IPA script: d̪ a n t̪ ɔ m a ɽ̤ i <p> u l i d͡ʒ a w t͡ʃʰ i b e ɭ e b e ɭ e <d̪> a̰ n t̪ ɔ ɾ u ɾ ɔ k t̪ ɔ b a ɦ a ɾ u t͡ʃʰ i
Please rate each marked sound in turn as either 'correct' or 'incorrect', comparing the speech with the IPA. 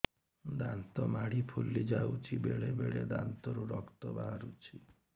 incorrect: pʰ, correct

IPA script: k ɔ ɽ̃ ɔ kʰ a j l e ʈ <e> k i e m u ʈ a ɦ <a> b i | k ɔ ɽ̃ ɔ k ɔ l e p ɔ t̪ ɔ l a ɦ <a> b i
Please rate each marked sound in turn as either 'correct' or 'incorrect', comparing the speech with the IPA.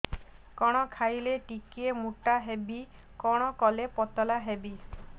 incorrect: i, incorrect: e, incorrect: e

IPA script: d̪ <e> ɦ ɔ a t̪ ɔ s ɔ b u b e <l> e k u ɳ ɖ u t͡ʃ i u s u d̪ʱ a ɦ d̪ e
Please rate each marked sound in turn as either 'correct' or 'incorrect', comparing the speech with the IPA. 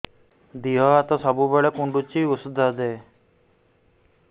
incorrect: i, incorrect: ɭ

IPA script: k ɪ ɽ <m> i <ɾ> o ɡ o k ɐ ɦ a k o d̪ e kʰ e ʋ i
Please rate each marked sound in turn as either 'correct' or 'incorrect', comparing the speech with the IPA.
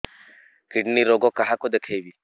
incorrect: n, correct

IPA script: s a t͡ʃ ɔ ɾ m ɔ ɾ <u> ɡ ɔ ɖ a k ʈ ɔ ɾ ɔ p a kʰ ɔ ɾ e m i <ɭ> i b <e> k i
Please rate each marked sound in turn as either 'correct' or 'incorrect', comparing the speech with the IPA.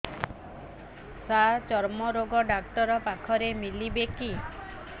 incorrect: o, incorrect: l, correct

